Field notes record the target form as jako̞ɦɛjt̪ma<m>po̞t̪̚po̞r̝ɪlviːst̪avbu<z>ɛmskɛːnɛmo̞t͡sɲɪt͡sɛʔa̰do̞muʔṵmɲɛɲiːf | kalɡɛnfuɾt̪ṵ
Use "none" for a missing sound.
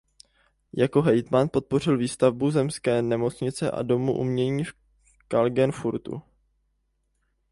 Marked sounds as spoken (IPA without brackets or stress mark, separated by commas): n, z